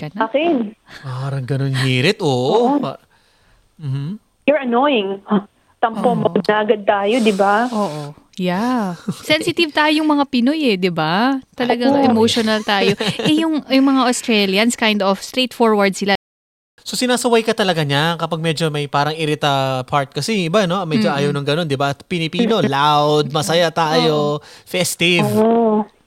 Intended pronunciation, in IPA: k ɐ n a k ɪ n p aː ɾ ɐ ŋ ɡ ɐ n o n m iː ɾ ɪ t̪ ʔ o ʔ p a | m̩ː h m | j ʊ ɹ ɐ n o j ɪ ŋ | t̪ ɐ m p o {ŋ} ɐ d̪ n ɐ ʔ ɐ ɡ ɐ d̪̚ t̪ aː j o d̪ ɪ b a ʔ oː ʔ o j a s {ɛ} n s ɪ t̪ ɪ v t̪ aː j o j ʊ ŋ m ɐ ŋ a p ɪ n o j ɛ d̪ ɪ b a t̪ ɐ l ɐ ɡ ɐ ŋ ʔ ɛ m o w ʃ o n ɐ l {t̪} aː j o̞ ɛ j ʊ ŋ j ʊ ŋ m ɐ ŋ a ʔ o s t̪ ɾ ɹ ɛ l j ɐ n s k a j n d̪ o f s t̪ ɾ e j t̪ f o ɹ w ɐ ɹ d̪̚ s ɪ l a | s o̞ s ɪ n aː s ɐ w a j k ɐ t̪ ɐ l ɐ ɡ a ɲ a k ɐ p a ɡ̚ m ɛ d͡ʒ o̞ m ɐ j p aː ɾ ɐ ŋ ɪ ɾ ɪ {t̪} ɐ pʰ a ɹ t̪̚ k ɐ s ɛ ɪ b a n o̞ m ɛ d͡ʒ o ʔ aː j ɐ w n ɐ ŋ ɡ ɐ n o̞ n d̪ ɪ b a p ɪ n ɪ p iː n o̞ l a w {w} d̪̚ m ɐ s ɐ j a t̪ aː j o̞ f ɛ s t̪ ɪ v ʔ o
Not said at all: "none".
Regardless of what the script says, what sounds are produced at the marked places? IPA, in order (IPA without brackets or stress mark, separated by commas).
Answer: m, ɛ, t̪, t̪, w